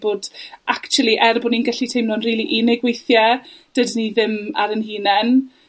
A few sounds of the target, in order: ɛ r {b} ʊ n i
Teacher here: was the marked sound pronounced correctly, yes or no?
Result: yes